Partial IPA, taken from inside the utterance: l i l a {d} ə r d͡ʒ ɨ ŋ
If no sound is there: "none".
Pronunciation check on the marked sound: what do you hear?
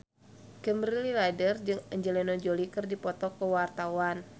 d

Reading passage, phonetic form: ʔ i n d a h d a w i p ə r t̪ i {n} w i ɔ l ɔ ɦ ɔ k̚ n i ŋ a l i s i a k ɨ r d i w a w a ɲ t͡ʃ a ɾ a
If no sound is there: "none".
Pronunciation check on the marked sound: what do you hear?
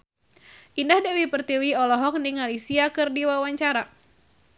none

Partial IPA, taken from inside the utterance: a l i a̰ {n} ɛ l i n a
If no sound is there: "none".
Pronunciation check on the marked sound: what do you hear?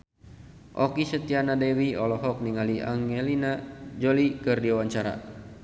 ŋ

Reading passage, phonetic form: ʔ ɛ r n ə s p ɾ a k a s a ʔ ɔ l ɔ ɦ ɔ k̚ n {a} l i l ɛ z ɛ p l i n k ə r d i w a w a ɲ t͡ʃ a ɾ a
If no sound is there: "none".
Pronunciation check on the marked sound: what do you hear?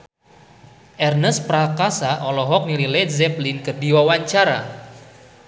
i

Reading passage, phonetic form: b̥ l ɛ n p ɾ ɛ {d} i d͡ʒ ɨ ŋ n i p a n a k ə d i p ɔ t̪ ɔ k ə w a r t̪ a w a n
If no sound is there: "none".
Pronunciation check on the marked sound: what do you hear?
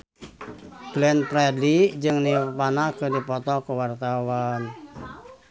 d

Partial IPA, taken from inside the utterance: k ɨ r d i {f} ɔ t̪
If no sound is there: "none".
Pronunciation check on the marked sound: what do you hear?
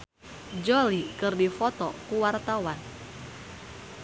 f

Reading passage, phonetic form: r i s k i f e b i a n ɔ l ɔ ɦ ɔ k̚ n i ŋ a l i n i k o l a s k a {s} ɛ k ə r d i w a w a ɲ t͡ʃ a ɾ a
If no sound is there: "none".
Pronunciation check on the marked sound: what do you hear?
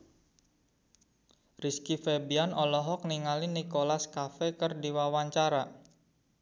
f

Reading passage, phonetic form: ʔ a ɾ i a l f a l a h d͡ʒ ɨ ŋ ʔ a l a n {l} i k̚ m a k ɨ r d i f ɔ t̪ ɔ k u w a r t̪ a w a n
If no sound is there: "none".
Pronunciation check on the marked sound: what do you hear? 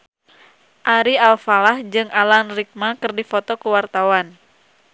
r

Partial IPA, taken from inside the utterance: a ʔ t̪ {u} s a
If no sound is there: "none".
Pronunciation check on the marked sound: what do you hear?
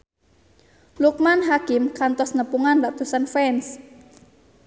u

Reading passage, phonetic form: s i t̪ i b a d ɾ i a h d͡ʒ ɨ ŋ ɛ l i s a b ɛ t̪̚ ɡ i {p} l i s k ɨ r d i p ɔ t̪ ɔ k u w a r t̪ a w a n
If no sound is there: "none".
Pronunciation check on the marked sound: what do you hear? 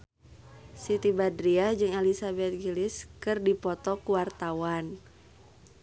none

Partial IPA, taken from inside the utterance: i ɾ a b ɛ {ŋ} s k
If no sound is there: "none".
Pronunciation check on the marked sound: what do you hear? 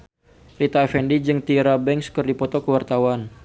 ŋ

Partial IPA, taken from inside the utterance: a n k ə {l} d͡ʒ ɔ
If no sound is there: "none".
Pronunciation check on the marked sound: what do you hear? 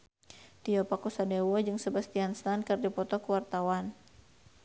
r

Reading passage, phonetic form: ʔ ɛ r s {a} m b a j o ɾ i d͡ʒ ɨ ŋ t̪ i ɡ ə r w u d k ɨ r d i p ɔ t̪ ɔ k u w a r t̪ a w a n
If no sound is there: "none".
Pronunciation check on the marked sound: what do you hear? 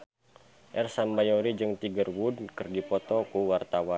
a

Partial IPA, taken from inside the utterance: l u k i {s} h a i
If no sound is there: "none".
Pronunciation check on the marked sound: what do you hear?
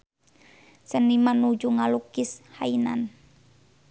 s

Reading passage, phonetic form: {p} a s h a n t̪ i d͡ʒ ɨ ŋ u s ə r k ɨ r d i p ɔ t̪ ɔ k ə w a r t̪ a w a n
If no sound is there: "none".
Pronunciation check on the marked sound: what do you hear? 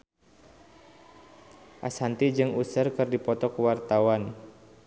ʔ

